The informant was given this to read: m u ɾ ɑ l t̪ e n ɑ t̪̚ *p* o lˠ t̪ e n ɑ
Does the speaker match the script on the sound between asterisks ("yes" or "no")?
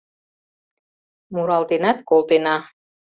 no